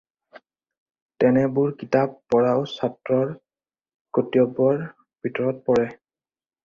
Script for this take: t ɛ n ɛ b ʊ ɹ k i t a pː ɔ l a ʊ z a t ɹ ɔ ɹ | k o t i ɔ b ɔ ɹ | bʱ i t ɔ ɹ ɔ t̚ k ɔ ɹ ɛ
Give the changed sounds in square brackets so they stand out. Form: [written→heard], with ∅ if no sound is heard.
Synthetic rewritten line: t ɛ n ɛ b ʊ ɹ k i t a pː ɔ [l→ɹ] a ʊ [z→s] a t ɹ ɔ ɹ | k o t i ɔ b ɔ ɹ | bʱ i t ɔ ɹ ɔ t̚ [k→p] ɔ ɹ ɛ